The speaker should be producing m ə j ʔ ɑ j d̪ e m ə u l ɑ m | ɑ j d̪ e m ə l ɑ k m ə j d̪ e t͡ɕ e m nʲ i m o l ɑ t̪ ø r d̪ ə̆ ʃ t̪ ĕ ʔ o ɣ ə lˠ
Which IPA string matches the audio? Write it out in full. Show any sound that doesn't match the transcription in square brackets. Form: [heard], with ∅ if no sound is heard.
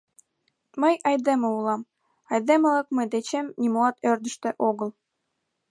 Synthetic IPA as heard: m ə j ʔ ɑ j d̪ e m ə u l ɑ m | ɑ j d̪ e m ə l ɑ k m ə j d̪ e t͡ɕ e m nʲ i m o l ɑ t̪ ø r d̪ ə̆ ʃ t̪ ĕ ʔ o ɣ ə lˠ